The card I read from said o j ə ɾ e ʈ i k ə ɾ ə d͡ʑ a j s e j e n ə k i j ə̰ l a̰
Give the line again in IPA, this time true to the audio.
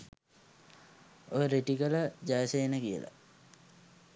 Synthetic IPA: o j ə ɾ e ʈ i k ə l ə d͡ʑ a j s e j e n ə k i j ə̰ l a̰